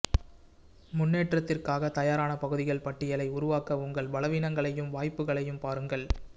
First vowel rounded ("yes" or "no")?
yes